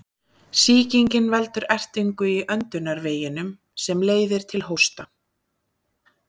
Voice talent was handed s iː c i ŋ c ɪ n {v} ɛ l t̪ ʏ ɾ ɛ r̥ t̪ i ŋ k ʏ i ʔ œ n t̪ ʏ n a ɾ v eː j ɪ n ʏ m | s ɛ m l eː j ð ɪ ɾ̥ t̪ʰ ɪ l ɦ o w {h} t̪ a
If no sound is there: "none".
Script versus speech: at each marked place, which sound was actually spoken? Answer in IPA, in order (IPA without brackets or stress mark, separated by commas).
v, s